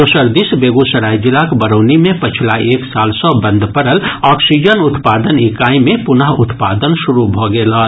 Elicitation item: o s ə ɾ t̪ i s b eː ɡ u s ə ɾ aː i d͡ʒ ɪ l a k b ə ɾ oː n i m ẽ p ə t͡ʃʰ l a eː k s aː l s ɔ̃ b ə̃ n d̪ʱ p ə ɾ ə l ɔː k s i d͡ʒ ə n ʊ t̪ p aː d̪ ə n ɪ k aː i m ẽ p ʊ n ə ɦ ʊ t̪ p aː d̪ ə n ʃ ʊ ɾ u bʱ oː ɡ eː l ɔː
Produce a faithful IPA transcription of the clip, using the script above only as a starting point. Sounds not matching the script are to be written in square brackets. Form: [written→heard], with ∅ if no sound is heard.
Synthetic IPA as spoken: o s ə ɾ [t̪→d̪] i s b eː ɡ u s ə ɾ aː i d͡ʒ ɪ l a k b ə ɾ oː n i m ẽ p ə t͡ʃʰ l a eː k s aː l s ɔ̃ b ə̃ n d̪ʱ p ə ɾ ə l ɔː k s i d͡ʒ ə n ʊ t̪ p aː d̪ ə n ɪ k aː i m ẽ p ʊ n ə ɦ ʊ t̪ p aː d̪ ə n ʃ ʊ ɾ u bʱ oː ɡ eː l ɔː

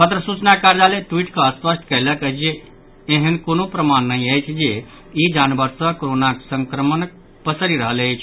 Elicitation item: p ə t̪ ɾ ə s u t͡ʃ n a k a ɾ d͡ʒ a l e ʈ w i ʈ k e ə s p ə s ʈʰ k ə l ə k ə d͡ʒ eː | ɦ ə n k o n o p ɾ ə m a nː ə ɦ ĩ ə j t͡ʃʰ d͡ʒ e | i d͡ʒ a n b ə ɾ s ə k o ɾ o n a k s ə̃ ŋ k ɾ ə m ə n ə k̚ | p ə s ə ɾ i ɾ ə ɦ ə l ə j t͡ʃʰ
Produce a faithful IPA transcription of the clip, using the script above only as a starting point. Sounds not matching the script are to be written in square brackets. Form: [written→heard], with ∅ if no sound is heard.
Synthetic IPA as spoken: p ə t̪ ɾ ə s u t͡ʃ n a k a ɾ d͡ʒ a l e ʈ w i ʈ k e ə s p ə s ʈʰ k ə l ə k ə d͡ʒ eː | ɦ ə n k o n o p ɾ ə m a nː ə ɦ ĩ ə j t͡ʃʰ d͡ʒ e | i d͡ʒ a n b ə ɾ s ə k o ɾ o n a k s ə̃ ŋ k ɾ ə m ə n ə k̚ | p ə s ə ɾ i ɾ ə ɦ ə l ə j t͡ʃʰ

